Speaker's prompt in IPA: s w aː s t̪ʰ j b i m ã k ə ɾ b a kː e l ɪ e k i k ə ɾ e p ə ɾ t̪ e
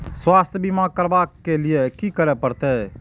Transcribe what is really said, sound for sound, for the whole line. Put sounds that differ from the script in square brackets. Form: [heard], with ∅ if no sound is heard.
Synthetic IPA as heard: s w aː s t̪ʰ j b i m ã k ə ɾ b a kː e l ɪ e k i k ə ɾ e p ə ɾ t̪ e